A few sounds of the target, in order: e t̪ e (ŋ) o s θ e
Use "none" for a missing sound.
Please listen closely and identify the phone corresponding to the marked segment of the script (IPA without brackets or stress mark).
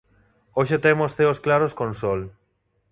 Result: m